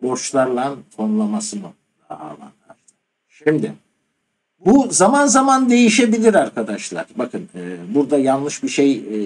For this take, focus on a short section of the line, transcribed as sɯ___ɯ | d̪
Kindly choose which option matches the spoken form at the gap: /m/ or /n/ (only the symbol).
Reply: m